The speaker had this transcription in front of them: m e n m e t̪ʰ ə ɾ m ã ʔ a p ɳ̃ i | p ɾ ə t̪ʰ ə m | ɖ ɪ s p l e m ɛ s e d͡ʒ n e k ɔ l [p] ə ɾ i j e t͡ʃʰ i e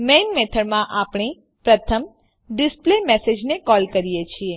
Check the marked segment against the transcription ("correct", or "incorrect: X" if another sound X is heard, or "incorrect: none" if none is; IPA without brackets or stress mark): incorrect: k